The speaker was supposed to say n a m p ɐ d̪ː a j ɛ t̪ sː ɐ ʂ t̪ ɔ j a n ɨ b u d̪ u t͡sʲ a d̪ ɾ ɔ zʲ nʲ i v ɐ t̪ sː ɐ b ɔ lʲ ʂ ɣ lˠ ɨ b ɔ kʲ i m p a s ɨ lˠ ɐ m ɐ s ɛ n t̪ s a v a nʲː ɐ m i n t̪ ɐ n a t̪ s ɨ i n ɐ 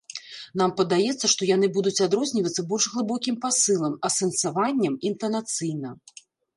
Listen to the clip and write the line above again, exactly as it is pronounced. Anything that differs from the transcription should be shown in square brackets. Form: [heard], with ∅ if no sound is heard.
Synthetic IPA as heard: n a m p ɐ [d̪] a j ɛ t̪ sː ɐ ʂ t̪ ɔ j a n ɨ b u d̪ u t͡sʲ a d̪ ɾ ɔ zʲ nʲ i v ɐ t̪ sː ɐ b ɔ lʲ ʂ ɣ lˠ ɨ b ɔ kʲ i m p a s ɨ lˠ ɐ m ɐ s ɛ n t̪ s a v a nʲː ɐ m i n t̪ ɐ n a t̪ s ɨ [j] n ɐ